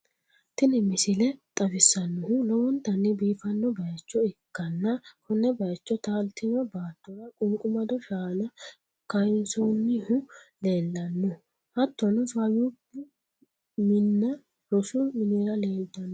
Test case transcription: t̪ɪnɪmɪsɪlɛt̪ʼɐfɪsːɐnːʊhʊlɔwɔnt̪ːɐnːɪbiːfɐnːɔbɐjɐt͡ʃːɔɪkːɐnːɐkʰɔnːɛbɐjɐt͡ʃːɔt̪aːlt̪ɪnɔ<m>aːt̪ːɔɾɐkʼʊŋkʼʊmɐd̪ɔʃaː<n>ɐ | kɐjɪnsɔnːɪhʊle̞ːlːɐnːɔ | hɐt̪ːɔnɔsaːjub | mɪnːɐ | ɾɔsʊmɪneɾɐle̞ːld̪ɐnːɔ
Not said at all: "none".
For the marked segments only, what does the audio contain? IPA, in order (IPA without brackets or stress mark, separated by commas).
b, n